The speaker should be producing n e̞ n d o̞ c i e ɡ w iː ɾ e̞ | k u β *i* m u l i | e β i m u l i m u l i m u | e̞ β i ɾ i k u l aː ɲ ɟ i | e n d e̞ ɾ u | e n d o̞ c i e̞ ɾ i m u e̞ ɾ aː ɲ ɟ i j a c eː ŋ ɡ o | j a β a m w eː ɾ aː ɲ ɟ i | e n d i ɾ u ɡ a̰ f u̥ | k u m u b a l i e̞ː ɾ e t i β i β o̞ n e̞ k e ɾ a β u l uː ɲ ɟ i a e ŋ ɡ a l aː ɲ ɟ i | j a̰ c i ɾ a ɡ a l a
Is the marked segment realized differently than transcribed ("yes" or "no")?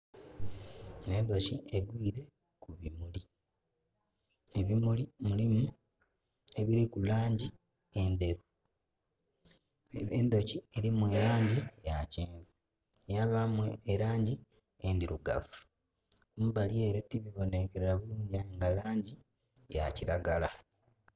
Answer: no